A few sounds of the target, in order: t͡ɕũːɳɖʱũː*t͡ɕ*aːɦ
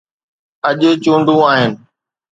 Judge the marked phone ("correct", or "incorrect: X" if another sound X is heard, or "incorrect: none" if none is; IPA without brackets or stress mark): incorrect: none